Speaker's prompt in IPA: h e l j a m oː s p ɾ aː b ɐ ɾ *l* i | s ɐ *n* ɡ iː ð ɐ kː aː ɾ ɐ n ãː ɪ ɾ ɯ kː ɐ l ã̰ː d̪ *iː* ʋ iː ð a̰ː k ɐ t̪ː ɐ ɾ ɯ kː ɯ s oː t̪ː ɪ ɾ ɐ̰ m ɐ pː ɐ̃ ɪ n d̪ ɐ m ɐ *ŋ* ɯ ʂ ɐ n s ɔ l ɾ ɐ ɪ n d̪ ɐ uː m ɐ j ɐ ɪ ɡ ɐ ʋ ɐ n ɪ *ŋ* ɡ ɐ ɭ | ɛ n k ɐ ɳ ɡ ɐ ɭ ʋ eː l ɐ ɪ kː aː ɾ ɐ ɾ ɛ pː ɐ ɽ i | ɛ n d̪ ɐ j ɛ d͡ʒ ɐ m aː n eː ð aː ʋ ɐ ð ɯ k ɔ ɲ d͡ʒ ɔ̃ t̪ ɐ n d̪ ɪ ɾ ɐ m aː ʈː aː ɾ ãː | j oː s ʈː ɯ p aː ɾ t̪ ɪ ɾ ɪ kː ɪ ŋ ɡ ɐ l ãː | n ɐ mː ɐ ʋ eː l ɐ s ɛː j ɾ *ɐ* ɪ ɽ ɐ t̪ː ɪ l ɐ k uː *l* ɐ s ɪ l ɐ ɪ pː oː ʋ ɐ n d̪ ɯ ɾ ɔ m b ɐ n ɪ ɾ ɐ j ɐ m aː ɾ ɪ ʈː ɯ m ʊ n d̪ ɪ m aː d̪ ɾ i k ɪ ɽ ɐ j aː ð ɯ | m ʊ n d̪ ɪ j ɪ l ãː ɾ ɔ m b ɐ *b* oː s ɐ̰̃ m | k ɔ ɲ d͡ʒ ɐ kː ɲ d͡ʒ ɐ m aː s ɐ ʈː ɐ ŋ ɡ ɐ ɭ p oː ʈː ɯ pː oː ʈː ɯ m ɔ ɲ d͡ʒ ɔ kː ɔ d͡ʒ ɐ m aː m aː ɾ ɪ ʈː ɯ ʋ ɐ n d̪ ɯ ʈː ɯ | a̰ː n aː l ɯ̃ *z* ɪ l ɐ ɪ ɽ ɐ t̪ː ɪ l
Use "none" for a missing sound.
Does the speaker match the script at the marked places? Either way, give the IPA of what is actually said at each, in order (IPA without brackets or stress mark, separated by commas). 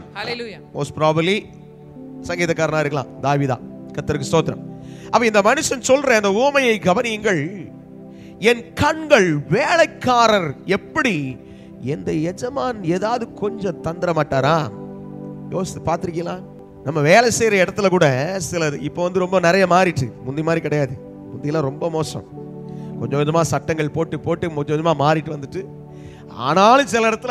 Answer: l, ŋ, aː, n, ŋ, ɐ, ɽ, m, s